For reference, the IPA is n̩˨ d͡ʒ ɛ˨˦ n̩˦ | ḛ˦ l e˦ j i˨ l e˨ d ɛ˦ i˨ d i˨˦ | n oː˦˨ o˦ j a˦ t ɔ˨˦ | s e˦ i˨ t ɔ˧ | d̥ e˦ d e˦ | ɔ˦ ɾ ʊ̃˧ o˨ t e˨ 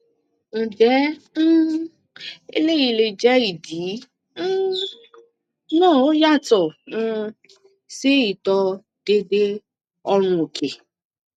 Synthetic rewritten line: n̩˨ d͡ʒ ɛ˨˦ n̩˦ | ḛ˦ l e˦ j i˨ l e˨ d͡ʒ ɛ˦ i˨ d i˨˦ | n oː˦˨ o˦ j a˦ t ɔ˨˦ | s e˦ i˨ t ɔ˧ | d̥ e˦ d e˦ | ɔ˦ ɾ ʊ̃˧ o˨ k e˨